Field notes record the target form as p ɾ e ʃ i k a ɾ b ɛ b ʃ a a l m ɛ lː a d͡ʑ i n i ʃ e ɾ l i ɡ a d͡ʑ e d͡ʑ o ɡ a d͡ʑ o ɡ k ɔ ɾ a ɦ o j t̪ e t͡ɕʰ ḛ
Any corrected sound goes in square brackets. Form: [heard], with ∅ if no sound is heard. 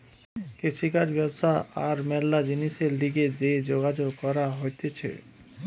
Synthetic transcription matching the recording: [k] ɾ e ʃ i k a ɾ b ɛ b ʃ a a [ɾ] m ɛ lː a d͡ʑ i n i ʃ e ɾ l i ɡ [e] d͡ʑ e d͡ʑ o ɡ a d͡ʑ o ɡ k ɔ ɾ a ɦ o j t̪ e t͡ɕʰ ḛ